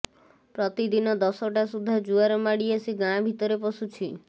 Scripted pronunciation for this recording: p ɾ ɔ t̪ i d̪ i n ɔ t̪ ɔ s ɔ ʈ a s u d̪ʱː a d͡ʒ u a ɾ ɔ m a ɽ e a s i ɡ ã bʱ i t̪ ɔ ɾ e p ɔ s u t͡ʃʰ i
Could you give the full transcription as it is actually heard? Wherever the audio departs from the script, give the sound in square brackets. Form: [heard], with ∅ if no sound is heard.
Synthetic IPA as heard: p ɾ ɔ t̪ i d̪ i n ɔ [d̪] ɔ s ɔ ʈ a s u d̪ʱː a d͡ʒ u a ɾ ɔ m a ɽ [i] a s i ɡ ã bʱ i t̪ ɔ ɾ e p ɔ s u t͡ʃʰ i

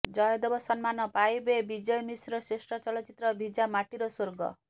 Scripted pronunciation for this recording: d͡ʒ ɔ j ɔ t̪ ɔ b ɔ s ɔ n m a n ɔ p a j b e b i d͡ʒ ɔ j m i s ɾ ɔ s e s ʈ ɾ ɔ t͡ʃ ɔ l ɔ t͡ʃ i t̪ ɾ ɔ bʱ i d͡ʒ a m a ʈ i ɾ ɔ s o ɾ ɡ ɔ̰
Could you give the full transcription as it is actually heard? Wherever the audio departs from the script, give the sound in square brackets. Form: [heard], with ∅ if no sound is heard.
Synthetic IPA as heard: d͡ʒ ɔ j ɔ [d̪] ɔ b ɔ s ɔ n m a n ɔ p a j b e b i d͡ʒ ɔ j m i s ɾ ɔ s e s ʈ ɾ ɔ t͡ʃ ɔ l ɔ t͡ʃ i t̪ ɾ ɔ bʱ i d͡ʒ a m a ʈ i ɾ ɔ s o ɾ ɡ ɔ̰

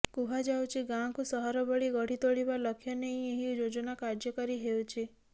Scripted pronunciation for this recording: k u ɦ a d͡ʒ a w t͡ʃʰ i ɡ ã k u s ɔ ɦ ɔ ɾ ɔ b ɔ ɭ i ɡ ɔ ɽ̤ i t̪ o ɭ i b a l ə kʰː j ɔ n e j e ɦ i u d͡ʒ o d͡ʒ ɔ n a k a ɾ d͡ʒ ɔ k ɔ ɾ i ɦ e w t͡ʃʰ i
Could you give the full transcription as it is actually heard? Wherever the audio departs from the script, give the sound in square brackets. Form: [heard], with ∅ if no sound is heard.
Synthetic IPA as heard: k u ɦ a d͡ʒ a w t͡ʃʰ i ɡ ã k u s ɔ ɦ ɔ ɾ ɔ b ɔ ɭ i ɡ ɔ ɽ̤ i t̪ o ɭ i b a l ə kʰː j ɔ n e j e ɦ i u d͡ʒ o d͡ʒ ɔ n a k a ɾ d͡ʒ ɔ k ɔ ɾ i ɦ e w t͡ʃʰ i

